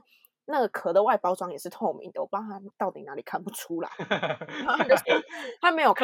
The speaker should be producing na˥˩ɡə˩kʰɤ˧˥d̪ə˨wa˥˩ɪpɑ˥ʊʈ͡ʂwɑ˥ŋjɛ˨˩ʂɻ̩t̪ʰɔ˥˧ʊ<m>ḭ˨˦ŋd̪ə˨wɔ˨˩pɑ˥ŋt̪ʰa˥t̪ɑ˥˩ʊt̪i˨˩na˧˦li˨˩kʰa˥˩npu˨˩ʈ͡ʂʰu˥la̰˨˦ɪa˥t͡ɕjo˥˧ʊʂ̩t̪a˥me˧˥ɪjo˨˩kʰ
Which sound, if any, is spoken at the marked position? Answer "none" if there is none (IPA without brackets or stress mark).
m